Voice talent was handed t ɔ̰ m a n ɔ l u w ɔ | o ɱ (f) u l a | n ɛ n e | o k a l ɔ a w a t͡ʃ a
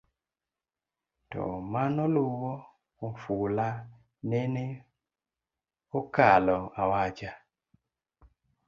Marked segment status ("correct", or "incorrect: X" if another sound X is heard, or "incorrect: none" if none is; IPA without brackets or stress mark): correct